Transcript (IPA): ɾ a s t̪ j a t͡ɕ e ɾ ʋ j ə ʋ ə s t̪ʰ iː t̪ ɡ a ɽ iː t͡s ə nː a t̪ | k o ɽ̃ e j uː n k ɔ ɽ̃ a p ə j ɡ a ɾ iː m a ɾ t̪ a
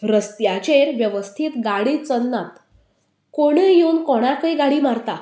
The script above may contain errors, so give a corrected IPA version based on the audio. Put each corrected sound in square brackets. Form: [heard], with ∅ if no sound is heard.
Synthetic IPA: ɾ [ə] s t̪ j a t͡ɕ e ɾ ʋ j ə ʋ ə s t̪ʰ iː t̪ ɡ a ɽ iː t͡s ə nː a t̪ | k o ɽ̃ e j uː n k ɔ ɽ̃ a [k] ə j ɡ a [ɽ] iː m a ɾ t̪ a